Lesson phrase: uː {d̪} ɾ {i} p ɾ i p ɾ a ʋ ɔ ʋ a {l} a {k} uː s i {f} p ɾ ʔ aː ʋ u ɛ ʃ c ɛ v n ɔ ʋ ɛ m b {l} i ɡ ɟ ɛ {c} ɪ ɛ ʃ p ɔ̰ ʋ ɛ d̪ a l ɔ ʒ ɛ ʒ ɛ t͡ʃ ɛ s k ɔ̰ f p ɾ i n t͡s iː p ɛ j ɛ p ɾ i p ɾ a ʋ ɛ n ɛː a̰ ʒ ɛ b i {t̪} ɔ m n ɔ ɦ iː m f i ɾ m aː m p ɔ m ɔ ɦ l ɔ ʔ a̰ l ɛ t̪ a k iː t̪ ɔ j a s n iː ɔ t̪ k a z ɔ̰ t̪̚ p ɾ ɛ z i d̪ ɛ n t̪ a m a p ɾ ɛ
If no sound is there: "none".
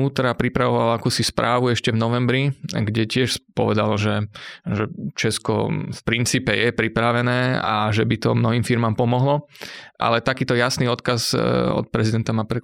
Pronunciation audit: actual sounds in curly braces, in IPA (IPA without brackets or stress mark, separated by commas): t̪, a, l, k, s, ɾ, c, t̪